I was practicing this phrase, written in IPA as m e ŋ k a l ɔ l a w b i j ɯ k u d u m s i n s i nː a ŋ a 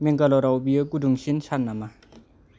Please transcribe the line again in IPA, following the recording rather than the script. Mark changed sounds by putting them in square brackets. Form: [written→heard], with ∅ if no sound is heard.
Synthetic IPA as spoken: m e ŋ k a l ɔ [l→ɾ] a w b i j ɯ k u d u [m→ŋ] s i n s [i→a] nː a [ŋ→m] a